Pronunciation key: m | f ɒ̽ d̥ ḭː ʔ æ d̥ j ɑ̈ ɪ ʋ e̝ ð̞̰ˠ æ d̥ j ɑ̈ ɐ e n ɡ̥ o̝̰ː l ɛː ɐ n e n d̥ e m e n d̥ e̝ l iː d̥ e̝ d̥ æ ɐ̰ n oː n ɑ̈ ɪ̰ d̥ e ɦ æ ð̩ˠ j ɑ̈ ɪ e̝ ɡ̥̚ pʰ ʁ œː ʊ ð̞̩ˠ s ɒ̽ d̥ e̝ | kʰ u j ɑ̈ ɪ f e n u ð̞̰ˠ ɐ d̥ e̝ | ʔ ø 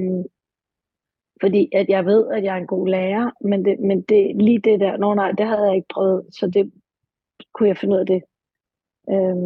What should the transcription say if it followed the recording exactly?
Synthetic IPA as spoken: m | f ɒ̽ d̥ ḭː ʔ æ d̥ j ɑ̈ ɪ ʋ e̝ ð̞̰ˠ æ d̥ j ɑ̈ ɐ e n ɡ̥ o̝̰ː l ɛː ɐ m e n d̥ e m e n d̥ e̝ l iː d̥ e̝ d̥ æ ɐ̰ n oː n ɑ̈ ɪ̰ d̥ e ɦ æ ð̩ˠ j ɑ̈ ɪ e̝ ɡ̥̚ pʰ ʁ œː ʊ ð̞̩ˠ s ɒ̽ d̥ e̝ | kʰ u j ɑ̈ ɪ f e n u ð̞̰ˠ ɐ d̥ e̝ | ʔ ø